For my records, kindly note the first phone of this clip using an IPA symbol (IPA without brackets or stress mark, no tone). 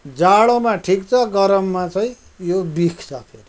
d͡z